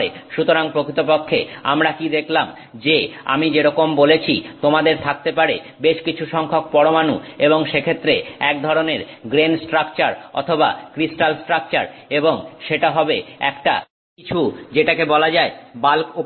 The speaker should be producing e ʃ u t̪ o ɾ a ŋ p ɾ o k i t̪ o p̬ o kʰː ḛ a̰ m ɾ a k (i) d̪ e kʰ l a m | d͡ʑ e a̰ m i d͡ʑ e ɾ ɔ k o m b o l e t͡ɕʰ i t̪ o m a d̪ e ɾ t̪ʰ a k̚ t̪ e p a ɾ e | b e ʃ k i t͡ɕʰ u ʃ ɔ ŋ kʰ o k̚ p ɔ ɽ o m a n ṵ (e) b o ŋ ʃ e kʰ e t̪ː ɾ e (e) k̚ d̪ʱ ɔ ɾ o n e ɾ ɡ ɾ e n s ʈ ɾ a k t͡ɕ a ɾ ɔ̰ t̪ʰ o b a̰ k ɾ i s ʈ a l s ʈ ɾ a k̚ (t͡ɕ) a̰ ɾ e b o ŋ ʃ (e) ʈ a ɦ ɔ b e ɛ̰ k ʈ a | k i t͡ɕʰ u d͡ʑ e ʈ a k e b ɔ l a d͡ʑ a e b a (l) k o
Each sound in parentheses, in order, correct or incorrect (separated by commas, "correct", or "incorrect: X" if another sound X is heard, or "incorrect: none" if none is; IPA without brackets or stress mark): correct, correct, incorrect: ɛ, correct, correct, correct